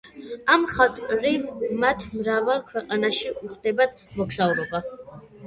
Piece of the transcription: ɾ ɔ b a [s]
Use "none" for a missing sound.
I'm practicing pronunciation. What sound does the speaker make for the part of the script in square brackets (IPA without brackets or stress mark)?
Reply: none